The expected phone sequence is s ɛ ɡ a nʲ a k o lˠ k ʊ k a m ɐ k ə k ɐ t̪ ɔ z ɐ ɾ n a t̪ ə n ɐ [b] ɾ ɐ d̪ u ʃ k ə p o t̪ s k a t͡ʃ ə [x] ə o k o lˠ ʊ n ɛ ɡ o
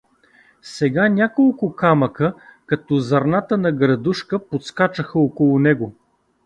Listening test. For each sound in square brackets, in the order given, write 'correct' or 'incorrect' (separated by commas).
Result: incorrect, correct